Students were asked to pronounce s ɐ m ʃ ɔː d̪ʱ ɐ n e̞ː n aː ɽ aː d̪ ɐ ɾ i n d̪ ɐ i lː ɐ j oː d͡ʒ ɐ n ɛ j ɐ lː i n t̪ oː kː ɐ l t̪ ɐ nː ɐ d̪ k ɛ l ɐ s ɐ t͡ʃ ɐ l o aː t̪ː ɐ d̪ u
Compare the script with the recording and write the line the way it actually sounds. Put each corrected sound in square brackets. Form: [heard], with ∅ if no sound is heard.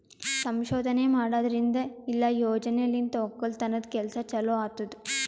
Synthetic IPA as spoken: s ɐ m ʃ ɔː d̪ʱ ɐ n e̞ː [m] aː ɽ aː d̪ ɐ ɾ i n d̪ ɐ i lː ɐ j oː d͡ʒ ɐ n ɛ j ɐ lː i n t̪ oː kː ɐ l t̪ ɐ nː ɐ d̪ k ɛ l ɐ s ɐ t͡ʃ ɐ l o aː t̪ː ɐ d̪ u